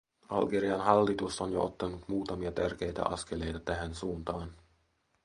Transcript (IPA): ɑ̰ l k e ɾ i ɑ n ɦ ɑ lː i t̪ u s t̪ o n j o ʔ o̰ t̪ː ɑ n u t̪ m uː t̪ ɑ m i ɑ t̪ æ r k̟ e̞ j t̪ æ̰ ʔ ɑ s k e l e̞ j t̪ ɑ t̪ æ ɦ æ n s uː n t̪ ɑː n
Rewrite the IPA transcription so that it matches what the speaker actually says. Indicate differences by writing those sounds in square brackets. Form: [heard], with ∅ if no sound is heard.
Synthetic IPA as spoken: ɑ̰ l [ɡ] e ɾ i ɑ n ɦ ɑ lː i t̪ u s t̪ o n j o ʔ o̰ t̪ː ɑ n u t̪ m uː t̪ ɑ m i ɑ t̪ æ r k̟ e̞ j t̪ æ̰ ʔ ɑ s k e l e̞ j t̪ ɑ t̪ æ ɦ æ n s uː n t̪ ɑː n

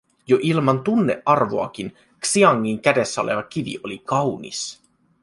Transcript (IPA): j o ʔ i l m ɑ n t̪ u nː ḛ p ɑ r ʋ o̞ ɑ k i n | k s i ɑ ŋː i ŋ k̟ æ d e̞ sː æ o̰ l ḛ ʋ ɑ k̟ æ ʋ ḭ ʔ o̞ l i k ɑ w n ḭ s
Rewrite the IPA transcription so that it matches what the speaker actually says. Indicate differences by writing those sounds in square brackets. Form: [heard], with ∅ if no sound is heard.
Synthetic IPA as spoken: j o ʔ i l m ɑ n t̪ u nː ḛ [ʔ] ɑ r ʋ o̞ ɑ k i n | k s i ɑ ŋː i ŋ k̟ æ d e̞ sː æ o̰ l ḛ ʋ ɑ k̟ [i] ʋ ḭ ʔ o̞ l i k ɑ w n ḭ s

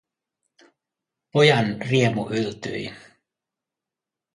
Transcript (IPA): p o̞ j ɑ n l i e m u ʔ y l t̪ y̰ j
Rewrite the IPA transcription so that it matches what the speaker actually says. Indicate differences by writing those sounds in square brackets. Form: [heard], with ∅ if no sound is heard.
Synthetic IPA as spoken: p o̞ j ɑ n [r] i e m u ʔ y l t̪ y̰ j

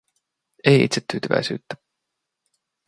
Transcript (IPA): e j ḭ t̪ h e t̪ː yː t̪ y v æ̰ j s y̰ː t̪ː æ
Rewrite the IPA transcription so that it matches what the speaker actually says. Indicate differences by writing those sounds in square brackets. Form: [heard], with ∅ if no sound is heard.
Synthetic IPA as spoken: e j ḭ t̪ [s] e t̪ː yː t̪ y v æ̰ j s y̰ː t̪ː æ

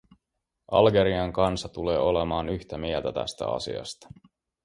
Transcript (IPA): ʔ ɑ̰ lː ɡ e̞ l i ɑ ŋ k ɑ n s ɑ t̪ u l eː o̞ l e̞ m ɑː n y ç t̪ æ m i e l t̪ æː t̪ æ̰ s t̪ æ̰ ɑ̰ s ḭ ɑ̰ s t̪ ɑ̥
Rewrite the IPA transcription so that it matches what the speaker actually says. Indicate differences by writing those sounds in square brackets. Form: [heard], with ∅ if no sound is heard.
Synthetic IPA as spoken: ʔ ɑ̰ [l] ɡ e̞ [ɾ] i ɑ ŋ k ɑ n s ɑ t̪ u l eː o̞ l e̞ m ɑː n y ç t̪ æ m i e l t̪ [æ] t̪ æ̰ s t̪ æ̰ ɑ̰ s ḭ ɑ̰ s t̪ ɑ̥

